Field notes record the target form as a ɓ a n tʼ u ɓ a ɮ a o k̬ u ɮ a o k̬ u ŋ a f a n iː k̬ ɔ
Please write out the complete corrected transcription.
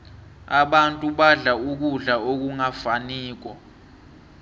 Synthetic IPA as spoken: a ɓ a n tʼ u ɓ a ɮ a u k̬ u ɮ a o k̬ u ŋ a f a n iː k̬ ɔ